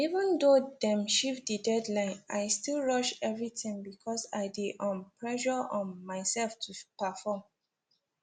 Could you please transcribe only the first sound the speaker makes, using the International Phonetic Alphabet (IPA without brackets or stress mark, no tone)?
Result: i